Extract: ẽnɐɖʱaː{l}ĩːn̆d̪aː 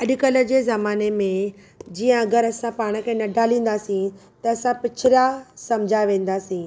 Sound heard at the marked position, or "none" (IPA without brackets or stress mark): l